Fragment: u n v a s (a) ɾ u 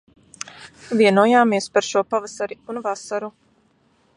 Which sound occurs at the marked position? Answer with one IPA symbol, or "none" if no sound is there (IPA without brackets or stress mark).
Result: a